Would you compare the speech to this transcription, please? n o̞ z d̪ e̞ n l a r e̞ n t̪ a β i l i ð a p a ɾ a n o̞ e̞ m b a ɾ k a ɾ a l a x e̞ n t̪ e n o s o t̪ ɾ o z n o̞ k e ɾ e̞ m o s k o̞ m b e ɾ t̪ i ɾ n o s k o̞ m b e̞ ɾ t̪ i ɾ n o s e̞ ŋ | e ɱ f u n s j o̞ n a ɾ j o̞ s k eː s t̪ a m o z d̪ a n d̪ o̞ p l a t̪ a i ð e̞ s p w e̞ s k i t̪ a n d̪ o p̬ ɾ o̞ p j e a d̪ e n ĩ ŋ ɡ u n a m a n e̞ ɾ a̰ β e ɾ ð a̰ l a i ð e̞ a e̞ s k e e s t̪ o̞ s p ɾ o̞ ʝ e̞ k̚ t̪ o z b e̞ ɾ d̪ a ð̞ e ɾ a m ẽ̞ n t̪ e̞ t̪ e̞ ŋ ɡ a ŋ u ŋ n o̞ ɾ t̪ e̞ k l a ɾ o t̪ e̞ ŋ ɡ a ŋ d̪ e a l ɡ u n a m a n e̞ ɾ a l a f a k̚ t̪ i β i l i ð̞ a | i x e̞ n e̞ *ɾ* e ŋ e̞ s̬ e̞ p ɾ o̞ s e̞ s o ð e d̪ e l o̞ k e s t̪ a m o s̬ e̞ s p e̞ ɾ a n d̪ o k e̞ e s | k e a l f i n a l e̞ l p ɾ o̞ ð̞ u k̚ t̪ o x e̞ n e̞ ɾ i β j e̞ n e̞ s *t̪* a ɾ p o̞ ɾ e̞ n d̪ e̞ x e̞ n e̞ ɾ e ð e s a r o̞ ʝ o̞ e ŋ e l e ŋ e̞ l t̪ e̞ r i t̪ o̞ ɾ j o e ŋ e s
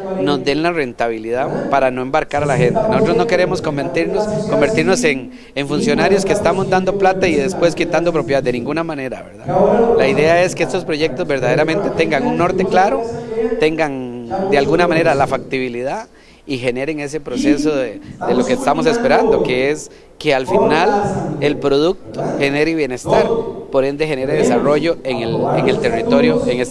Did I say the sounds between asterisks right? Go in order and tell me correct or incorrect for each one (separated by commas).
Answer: correct, correct